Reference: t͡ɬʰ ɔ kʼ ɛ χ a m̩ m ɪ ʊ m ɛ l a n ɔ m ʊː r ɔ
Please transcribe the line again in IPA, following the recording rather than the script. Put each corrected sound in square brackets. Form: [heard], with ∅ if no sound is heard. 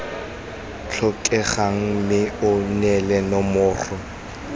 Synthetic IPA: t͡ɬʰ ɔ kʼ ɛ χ a [ŋ̩] m ɪ ʊ [n] ɛ l [ɛ] n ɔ m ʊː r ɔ